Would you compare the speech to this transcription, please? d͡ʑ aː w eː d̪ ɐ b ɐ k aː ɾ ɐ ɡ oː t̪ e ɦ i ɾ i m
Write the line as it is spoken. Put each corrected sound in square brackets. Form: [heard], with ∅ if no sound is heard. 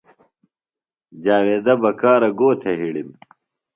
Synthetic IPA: d͡ʑ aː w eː d̪ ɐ b ɐ k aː ɾ ɐ ɡ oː [t̪ʰ] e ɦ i [ɽ] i m